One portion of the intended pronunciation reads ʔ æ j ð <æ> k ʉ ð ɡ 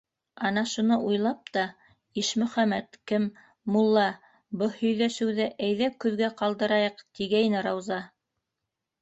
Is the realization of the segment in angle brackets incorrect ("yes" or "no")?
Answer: no